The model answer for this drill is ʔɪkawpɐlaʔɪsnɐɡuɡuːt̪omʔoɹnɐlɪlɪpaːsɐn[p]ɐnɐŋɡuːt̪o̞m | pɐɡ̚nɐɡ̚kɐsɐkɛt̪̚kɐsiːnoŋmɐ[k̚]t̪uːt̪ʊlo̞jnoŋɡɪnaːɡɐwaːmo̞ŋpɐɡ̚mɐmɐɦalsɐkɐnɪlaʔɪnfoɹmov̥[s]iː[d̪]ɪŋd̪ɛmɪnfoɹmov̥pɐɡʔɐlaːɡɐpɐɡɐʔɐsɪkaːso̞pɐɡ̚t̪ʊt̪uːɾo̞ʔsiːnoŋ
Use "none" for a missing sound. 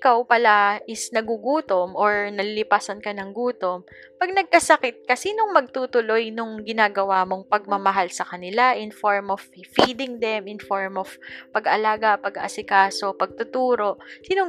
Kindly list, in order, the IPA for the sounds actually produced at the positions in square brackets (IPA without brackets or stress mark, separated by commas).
k, ɡ̚, f, d̪